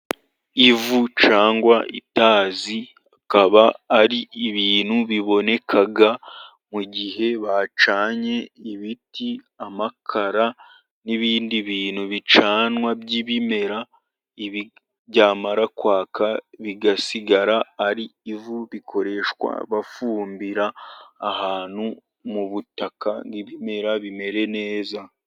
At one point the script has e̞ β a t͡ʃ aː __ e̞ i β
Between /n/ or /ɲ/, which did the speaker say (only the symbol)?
ɲ